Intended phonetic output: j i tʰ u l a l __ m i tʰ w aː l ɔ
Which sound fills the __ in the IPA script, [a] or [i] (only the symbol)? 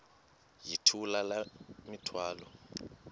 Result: a